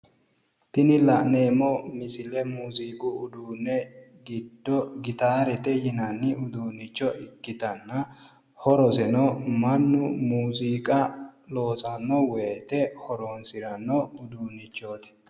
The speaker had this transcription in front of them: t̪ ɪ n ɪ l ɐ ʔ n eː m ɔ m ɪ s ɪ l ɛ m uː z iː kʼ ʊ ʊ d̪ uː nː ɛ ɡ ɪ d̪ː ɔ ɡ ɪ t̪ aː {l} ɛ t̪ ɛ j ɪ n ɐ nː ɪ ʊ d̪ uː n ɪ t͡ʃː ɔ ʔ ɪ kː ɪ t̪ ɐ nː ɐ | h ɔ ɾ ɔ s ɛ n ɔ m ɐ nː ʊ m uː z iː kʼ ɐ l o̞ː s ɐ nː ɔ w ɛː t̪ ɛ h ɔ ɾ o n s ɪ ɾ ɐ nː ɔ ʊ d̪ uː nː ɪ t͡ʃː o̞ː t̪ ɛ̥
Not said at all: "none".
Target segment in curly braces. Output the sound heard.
ɾ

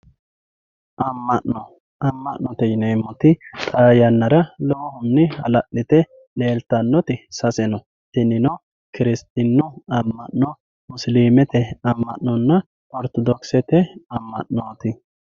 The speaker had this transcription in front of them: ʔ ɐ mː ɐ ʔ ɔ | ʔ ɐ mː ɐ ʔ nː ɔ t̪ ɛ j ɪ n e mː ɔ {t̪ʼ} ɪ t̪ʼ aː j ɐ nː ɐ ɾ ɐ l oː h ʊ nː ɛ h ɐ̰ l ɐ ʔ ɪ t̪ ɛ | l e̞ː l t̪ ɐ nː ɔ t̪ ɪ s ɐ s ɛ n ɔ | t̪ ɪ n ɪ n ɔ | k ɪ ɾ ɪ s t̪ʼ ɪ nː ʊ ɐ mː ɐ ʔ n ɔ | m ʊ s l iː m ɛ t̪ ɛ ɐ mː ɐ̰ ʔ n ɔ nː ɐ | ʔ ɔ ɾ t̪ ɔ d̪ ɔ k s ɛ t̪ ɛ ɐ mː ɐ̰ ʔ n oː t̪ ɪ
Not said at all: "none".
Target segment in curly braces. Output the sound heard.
t̪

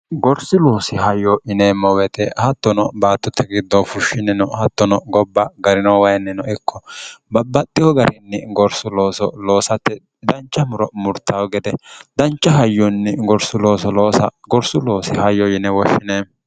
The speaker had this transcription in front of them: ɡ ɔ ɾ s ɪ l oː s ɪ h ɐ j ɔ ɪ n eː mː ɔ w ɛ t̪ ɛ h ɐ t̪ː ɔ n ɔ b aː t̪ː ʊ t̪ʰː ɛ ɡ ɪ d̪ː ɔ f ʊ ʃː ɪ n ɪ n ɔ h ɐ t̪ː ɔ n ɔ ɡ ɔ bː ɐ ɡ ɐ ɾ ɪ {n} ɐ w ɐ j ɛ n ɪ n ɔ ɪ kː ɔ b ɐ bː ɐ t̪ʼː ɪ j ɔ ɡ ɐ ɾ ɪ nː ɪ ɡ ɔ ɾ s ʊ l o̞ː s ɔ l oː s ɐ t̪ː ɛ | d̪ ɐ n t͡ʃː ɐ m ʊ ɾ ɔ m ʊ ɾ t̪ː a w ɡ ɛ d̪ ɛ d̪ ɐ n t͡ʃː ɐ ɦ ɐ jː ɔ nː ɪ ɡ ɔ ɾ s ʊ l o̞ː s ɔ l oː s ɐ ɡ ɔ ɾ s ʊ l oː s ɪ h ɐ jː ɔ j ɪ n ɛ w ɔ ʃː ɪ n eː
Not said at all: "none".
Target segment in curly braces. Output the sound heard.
n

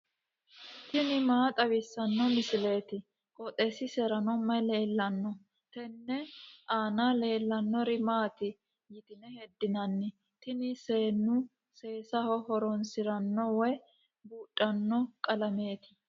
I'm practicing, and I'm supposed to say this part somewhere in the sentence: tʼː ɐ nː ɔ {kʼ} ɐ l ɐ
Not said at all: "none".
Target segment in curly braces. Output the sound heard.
kʼ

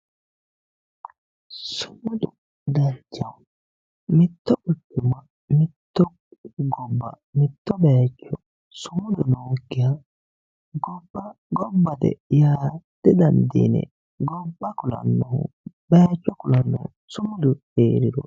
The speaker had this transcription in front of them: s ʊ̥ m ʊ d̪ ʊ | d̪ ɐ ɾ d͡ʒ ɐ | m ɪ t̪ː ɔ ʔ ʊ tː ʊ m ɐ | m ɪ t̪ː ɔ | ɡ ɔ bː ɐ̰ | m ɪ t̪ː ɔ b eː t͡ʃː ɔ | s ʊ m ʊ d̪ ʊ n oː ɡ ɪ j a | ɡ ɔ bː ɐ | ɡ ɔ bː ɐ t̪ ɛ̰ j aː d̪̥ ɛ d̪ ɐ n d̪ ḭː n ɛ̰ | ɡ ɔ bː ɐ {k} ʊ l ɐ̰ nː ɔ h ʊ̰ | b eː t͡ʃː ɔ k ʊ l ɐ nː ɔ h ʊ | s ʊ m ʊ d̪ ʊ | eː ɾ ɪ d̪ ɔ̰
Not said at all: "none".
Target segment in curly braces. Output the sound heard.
k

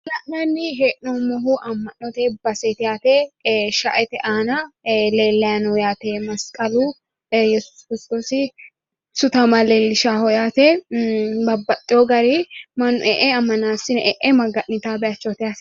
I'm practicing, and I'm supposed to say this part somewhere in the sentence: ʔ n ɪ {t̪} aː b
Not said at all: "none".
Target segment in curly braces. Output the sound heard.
t̪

